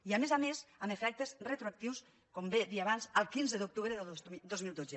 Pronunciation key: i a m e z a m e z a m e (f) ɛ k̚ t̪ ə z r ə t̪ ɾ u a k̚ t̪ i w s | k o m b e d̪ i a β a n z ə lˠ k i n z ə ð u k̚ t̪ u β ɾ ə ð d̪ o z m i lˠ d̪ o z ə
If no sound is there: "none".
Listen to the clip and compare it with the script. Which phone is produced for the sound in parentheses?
f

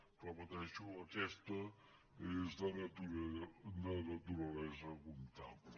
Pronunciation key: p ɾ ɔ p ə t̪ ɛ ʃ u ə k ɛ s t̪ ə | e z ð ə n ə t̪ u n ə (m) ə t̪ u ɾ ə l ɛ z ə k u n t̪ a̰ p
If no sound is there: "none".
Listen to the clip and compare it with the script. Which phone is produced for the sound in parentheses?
n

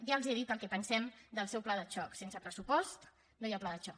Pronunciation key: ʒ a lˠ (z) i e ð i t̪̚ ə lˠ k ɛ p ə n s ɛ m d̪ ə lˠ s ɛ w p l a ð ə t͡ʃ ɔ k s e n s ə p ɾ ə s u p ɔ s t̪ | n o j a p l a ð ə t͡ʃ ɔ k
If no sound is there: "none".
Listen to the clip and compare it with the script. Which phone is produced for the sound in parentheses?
z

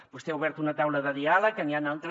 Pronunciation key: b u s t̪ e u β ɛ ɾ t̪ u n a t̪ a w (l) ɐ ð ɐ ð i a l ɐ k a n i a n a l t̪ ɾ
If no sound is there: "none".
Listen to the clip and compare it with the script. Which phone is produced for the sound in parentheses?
l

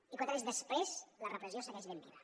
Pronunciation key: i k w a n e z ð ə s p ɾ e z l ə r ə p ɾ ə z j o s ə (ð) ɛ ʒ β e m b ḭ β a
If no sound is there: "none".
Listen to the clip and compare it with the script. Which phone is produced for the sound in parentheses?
ɣ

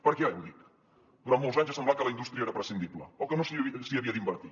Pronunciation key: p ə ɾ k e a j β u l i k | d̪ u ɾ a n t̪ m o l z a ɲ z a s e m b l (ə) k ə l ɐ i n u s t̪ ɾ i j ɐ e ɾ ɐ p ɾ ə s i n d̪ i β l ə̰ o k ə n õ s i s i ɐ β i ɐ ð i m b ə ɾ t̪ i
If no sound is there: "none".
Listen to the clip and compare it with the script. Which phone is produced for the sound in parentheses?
a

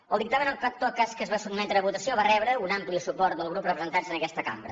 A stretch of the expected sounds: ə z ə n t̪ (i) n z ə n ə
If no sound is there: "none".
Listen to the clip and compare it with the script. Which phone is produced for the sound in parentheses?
a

